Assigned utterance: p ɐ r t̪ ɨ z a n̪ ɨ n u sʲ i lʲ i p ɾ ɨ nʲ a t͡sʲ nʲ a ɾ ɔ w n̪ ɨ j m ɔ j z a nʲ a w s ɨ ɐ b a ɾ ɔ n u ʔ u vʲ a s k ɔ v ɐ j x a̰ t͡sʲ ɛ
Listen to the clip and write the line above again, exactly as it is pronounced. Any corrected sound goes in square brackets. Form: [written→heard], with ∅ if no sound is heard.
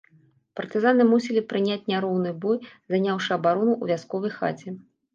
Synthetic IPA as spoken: p ɐ r t̪ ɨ z a n̪ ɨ [n→m] u sʲ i lʲ i p ɾ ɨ nʲ a t͡sʲ nʲ a ɾ ɔ w n̪ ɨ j [m→b] ɔ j z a nʲ a w [s→ʂ] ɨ ɐ b a ɾ ɔ n u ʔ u vʲ a s k ɔ v ɐ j x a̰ t͡sʲ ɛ